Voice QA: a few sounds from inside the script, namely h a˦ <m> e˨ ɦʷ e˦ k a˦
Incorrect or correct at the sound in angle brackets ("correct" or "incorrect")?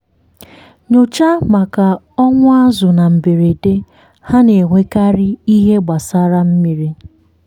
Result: incorrect